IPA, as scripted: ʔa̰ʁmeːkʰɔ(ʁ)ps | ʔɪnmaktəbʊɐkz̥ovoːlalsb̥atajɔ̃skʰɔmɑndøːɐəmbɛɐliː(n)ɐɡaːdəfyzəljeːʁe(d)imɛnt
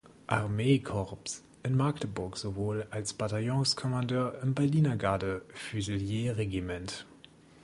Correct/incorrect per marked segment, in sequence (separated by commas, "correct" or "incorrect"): correct, correct, incorrect